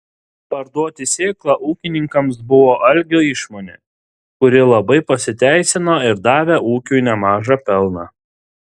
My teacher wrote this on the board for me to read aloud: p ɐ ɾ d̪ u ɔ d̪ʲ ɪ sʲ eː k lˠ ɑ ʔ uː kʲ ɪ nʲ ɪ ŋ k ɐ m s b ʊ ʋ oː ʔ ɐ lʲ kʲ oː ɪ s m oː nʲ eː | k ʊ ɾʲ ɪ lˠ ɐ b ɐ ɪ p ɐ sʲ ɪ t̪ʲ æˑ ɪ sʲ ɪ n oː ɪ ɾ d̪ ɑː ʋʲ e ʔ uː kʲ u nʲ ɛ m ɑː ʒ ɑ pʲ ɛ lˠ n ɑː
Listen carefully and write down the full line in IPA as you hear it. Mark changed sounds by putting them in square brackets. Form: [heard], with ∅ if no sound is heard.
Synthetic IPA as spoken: p ɐ ɾ d̪ u ɔ [t̪ʲ] ɪ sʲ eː k lˠ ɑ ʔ uː kʲ ɪ nʲ ɪ ŋ k ɐ m s b ʊ ʋ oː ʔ ɐ lʲ [ɡʲ] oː ɪ [ʃ] m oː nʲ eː | k ʊ ɾʲ ɪ lˠ ɐ b ɐ ɪ p ɐ sʲ ɪ t̪ʲ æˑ ɪ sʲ ɪ n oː ɪ ɾ d̪ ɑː ʋʲ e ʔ uː kʲ u nʲ ɛ m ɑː ʒ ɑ pʲ ɛ lˠ n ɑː